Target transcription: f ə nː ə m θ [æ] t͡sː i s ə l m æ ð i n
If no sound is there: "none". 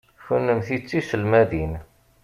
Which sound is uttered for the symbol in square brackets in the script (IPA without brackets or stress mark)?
i